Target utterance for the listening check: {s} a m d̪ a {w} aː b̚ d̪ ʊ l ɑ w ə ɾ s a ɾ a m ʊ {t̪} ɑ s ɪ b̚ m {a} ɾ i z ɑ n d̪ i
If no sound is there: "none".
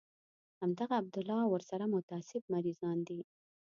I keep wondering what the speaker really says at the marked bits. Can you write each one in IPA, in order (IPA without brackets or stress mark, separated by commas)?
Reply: h, ɣ, t̪, a